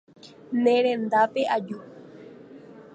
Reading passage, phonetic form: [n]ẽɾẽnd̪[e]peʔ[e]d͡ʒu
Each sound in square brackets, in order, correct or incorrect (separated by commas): correct, incorrect, incorrect